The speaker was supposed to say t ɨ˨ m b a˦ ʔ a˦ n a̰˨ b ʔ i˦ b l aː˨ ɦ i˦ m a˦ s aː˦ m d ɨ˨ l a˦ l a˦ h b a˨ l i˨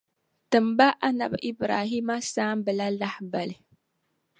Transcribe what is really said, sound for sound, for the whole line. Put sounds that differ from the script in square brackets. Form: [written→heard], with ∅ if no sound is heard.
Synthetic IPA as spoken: t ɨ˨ m b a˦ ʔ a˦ n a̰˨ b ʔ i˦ b [l→ɾ] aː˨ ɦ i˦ m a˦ s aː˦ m [d→b] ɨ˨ l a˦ l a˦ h b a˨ l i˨